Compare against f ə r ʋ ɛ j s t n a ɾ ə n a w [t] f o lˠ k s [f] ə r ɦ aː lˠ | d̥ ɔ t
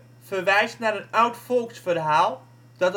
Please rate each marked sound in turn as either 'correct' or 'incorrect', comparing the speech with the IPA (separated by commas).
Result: correct, correct